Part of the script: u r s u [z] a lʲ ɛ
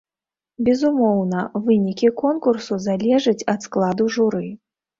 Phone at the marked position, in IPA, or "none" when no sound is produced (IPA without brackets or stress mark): z